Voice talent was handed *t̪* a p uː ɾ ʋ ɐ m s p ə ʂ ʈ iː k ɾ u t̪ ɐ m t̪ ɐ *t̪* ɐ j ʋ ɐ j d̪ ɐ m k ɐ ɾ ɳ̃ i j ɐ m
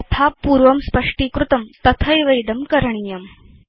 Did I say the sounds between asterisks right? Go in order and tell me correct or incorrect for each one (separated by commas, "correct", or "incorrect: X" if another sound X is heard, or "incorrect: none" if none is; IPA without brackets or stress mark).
incorrect: t̪ʰ, incorrect: t̪ʰ